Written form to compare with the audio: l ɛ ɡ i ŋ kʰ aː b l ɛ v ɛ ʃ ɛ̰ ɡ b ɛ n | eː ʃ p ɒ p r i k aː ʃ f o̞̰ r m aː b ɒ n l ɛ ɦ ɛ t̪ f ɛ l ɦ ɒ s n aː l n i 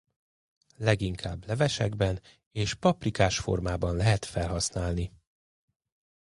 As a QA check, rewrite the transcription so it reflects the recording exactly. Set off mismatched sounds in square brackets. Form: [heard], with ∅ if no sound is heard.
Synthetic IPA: l ɛ ɡ i ŋ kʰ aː b l ɛ v ɛ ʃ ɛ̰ ɡ b ɛ n | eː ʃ p ɒ p r i k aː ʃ f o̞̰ r m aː b ɒ n l ɛ ɦ ɛ t̪ f ɛ l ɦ ɒ s n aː l n i

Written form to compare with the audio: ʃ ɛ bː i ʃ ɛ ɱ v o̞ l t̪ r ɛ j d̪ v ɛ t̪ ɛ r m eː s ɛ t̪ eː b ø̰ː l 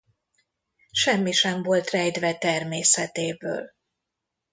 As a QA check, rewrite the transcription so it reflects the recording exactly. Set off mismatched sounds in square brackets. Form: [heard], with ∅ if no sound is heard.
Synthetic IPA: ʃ ɛ [mː] i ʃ ɛ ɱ v o̞ l t̪ r ɛ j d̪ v ɛ t̪ ɛ r m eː s ɛ t̪ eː b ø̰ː l

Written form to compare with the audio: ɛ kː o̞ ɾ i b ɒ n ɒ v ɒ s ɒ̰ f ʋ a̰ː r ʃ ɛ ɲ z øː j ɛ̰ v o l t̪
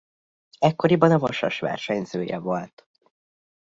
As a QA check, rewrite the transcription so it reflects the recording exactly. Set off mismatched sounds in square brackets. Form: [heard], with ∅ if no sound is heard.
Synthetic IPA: ɛ kː o̞ ɾ i b ɒ n ɒ v ɒ [ʃ] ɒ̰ [ʃ] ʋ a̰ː r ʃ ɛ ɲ z øː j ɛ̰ v o l t̪

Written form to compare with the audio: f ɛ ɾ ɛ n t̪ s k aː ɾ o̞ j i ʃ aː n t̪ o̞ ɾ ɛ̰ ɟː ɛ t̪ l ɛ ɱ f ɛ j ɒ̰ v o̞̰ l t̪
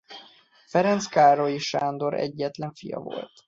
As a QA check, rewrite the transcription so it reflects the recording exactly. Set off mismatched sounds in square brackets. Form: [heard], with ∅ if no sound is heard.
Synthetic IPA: f ɛ ɾ ɛ n t̪ s k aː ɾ o̞ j i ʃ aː n [d̪] o̞ ɾ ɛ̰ ɟː ɛ t̪ l ɛ ɱ f [i] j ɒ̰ v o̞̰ l t̪

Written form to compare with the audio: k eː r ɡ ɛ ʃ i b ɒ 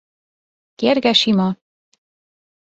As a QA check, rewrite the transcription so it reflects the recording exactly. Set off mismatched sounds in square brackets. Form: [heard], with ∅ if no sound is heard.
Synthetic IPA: k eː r ɡ ɛ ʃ i [m] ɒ

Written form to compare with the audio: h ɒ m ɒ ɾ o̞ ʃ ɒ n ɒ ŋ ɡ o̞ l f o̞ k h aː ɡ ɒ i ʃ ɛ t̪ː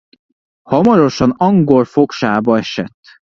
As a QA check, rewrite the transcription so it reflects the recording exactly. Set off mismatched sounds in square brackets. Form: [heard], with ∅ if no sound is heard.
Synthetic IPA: h ɒ m ɒ ɾ o̞ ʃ ɒ n ɒ ŋ ɡ o̞ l f o̞ k [ʃ] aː [b] ɒ [ɛ] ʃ ɛ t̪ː

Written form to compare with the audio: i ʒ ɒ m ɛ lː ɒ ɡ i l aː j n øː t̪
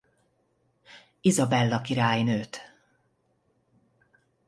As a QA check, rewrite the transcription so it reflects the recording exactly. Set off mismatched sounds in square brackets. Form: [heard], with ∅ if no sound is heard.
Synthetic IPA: i [z] ɒ [b] ɛ lː ɒ [k] i [ɾ] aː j n øː t̪

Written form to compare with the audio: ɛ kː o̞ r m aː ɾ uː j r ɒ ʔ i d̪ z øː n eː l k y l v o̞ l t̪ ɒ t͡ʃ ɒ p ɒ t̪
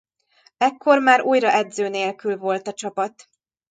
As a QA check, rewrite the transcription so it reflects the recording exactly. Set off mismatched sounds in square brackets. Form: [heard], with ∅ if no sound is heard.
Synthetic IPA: ɛ kː o̞ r m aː ɾ uː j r ɒ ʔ [ɛ] d̪ z øː n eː l k y l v o̞ l t̪ ɒ t͡ʃ ɒ p ɒ t̪

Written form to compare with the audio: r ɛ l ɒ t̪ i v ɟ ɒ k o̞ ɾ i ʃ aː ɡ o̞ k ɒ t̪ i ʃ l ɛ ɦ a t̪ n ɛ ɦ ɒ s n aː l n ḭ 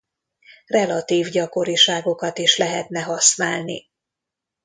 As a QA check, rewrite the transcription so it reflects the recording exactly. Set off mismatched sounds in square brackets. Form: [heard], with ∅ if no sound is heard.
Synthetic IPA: r ɛ l ɒ t̪ [iː] v ɟ ɒ k o̞ ɾ i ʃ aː ɡ o̞ k ɒ t̪ i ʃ l ɛ ɦ [ɛ] t̪ n ɛ ɦ ɒ s n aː l n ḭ

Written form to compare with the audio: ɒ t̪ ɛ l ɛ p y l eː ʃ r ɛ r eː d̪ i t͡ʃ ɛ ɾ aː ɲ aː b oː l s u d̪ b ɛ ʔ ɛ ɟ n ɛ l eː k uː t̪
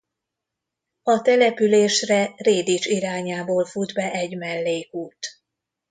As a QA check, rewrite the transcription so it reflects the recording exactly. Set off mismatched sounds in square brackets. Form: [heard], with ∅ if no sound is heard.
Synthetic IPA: ɒ t̪ ɛ l ɛ p y l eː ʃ r ɛ r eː d̪ i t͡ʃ [i] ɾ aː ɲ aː b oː l [f] u d̪ b ɛ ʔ ɛ ɟ [m] ɛ [lː] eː k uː t̪

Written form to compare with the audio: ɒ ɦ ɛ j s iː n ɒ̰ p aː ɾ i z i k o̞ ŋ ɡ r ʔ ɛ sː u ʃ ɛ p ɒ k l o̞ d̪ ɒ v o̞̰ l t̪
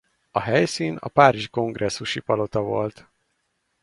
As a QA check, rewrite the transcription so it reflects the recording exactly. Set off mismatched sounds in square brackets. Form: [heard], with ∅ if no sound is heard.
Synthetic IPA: ɒ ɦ ɛ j s iː n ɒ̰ p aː ɾ i [ʒ] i k o̞ ŋ ɡ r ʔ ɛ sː u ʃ [i] p ɒ [∅] l o̞ [t̪] ɒ v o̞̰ l t̪

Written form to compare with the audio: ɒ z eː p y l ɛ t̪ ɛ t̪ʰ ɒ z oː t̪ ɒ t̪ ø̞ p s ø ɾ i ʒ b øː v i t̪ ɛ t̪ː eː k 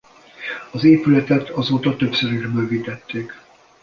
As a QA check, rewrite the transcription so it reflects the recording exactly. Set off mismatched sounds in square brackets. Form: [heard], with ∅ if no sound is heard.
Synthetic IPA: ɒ z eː p y l ɛ t̪ ɛ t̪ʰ ɒ z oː t̪ ɒ t̪ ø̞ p s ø ɾ i ʒ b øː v i t̪ ɛ t̪ː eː k

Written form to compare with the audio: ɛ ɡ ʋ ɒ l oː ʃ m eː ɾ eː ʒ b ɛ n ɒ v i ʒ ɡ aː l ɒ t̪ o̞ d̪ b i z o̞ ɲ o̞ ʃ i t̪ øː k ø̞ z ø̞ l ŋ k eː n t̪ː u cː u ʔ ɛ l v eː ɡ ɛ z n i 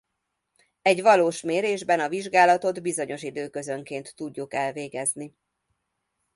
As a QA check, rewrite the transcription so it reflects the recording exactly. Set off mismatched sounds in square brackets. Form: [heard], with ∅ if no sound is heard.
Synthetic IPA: ɛ [ɟ] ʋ ɒ l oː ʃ m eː ɾ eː ʒ b ɛ n ɒ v i ʒ ɡ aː l ɒ t̪ o̞ d̪ b i z o̞ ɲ o̞ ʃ i [d̪] øː k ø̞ z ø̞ [∅] ŋ k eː n t̪ː u [ɟː] u [k] ɛ l v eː ɡ ɛ z n i

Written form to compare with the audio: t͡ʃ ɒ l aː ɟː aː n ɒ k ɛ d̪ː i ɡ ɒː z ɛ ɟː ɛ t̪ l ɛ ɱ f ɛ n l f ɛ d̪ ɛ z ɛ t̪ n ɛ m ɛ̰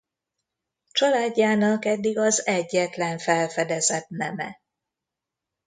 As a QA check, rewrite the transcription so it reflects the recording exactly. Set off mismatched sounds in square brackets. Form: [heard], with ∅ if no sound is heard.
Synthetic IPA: t͡ʃ ɒ l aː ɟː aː n ɒ k ɛ d̪ː i ɡ [ɒ] z ɛ ɟː ɛ t̪ l ɛ ɱ f ɛ [∅] l f ɛ d̪ ɛ z ɛ t̪ n ɛ m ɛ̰

